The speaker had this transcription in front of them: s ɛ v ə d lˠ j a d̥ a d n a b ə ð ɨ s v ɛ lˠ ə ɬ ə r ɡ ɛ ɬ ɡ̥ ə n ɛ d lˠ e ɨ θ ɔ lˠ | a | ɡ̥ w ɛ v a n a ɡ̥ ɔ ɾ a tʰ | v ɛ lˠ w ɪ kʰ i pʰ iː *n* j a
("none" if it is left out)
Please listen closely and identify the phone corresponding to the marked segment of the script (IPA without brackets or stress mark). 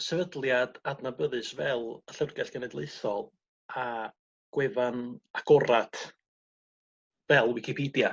d